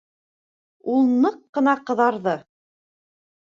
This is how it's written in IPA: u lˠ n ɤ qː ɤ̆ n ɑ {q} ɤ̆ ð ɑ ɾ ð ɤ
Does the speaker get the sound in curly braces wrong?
no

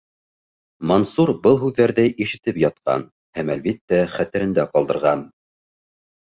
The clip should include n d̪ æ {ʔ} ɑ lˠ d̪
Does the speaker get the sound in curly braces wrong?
yes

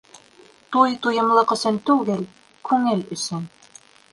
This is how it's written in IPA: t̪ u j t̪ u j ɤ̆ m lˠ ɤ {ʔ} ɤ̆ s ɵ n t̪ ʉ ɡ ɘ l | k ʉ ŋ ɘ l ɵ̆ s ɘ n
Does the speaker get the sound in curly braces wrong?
yes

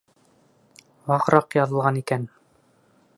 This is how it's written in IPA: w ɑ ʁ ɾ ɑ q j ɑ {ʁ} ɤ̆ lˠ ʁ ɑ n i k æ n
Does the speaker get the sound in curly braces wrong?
yes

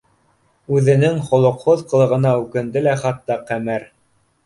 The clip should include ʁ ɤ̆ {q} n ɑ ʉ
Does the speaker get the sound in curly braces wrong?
yes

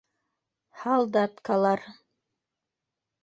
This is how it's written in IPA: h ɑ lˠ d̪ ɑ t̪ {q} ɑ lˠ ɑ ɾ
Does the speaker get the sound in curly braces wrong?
yes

